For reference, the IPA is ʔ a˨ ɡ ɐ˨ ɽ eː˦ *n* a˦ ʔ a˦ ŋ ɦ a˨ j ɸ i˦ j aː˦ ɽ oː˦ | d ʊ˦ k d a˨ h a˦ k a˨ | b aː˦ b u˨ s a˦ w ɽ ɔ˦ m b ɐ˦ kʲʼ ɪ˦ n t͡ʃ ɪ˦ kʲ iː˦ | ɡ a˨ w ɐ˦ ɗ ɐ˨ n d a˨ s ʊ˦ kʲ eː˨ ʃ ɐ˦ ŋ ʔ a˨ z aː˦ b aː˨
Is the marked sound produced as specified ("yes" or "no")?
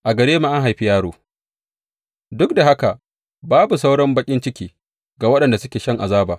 no